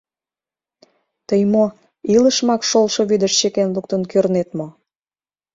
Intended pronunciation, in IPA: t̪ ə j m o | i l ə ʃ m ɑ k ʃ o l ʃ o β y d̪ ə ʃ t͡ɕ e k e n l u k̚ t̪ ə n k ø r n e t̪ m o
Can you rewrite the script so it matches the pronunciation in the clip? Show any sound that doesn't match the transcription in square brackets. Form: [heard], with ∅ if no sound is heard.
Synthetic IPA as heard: t̪ ə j m o | i l ə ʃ m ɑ k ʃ o l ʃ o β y d̪ ə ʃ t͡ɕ e k e n l u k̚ t̪ ə n k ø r n e t̪ m o

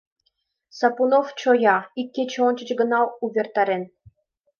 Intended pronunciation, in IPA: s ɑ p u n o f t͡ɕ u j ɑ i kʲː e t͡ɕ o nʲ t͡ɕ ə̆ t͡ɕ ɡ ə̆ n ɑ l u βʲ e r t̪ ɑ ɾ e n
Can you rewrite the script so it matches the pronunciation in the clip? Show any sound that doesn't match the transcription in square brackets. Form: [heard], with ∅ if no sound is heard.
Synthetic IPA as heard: s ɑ p u n o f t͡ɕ [o] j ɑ i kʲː e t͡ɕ o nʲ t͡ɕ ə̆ t͡ɕ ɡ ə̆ n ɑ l u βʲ e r t̪ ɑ ɾ e n

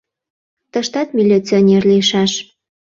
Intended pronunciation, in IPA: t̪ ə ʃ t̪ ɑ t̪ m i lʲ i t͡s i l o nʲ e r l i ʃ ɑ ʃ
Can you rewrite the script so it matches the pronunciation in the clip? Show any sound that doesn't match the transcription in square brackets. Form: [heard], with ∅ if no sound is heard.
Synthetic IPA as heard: t̪ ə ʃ t̪ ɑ t̪ m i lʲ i t͡s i [∅] o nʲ e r l i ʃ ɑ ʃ

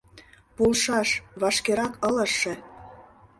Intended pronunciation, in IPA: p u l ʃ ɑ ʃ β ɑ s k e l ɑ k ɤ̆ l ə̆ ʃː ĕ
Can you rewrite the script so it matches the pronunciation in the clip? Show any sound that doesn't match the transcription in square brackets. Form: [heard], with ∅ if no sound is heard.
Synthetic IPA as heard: p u l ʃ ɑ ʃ β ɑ [ʃ] k e [ɾ] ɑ k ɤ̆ l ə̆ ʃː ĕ

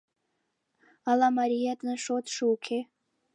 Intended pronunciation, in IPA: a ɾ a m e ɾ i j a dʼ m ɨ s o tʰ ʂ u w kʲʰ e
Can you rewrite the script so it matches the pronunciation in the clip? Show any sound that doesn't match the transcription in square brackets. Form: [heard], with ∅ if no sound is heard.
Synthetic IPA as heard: a [l] a m [a] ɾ i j a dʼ [n] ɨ [ʂ] o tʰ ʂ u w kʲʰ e

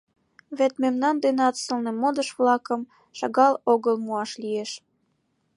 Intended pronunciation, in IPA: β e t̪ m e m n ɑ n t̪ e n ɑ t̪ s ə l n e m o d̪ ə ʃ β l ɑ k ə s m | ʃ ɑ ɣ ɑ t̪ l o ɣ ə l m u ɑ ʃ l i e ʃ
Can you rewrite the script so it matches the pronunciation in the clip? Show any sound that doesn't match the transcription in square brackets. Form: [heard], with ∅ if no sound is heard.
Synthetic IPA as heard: β e t̪ m e m n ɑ n [d̪] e n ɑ t̪ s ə l n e m o d̪ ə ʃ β l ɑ k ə [∅] m | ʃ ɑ ɣ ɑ [∅] l o ɣ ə l m u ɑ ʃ l i e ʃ

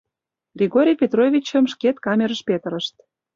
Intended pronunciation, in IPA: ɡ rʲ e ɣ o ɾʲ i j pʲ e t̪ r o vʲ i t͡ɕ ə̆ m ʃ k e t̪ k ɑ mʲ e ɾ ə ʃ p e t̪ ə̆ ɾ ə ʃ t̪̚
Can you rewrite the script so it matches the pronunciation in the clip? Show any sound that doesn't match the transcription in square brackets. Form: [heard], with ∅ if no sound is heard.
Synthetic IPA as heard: ɡ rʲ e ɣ o ɾʲ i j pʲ e t̪ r o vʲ i t͡ɕ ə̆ m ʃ k e t̪ k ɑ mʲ e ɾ ə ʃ p e t̪ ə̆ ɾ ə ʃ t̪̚

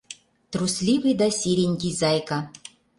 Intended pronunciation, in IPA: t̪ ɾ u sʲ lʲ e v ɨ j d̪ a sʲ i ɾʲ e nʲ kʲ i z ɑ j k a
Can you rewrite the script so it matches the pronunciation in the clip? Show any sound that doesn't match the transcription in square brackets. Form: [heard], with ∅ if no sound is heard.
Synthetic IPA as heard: t̪ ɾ u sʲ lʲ [i] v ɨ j d̪ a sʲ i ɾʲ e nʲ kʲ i z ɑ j k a

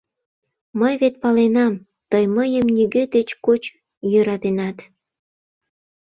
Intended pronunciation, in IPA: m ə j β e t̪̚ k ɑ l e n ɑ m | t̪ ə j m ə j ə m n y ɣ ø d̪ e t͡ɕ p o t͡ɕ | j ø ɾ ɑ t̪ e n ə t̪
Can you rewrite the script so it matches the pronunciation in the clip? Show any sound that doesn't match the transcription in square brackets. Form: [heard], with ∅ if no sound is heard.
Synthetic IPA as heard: m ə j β e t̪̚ [p] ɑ l e n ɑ m | t̪ ə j m ə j ə m n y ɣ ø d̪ e t͡ɕ [k] o t͡ɕ | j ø ɾ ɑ t̪ e n [ɑ] t̪

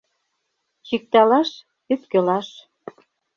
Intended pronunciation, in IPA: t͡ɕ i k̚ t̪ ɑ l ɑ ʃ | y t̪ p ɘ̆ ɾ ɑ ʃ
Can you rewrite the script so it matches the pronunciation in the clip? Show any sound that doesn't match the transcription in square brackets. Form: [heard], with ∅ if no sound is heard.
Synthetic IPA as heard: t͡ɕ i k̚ t̪ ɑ l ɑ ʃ | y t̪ [k] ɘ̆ [l] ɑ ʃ

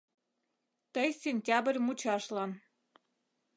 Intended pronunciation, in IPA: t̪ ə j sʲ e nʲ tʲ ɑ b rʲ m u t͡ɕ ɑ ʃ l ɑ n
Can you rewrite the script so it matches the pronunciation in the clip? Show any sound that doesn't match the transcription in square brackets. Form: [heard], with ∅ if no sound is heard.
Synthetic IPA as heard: t̪ ə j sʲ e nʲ tʲ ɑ b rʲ m u t͡ɕ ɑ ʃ l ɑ n

